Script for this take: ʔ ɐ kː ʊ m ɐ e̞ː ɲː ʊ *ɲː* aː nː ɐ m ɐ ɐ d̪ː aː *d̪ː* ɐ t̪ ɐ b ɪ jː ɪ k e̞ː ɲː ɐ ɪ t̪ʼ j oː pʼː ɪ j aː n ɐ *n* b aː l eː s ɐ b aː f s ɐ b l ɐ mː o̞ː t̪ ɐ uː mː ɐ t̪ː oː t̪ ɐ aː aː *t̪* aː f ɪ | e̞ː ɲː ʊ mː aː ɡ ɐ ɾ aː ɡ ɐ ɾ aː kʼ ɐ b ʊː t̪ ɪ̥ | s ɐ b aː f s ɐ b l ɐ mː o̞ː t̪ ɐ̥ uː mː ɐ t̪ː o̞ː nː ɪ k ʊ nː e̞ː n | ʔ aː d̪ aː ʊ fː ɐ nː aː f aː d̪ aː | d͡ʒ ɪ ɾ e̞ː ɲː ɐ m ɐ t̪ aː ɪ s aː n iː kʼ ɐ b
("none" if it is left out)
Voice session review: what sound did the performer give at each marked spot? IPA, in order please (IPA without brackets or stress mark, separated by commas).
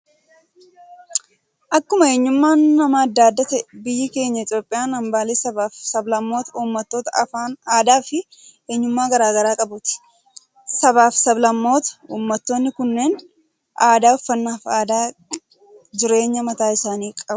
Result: mː, d̪ː, m, d̪